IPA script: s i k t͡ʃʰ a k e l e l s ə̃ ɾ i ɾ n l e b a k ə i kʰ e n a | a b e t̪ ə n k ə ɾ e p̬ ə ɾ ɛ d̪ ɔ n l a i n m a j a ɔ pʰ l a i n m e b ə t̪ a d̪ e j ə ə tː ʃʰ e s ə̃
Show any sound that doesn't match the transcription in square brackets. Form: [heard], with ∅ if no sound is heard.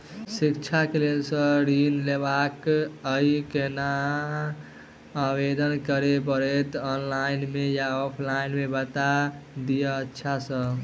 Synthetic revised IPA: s i k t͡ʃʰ a k e l e l s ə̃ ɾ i [∅] n l e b a k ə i [k] e n a | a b e [d̪] ə n k ə ɾ e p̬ ə ɾ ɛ [t̪] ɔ n l a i n m [e] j a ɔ pʰ l a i n m e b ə t̪ a d̪ [i] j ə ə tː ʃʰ [a] s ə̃